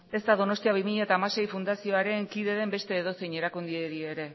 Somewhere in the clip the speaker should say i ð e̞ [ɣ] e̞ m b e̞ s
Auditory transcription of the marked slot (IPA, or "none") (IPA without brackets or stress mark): ð